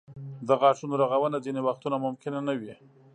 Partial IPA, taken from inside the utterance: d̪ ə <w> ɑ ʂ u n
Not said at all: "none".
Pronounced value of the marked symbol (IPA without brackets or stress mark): ɣ